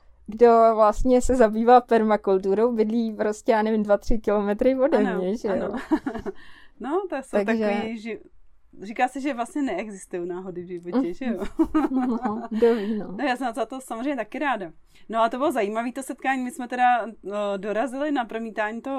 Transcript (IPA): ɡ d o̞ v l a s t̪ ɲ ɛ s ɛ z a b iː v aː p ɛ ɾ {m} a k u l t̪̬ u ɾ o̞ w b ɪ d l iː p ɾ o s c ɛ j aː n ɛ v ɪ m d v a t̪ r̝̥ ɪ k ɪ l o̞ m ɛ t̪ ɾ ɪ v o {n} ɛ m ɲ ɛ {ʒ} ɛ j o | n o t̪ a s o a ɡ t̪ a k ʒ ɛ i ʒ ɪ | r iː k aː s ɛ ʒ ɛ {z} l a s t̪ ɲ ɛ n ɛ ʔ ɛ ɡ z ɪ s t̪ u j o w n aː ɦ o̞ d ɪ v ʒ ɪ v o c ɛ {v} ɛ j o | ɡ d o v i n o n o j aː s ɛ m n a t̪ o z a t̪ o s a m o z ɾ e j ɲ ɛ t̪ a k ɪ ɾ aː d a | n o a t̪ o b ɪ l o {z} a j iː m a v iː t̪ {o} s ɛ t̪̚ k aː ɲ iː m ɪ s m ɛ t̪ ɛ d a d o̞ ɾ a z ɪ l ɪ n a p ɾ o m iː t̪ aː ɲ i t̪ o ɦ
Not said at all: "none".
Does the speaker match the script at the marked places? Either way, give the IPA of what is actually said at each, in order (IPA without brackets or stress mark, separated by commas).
m, d, ʒ, v, ʒ, z, o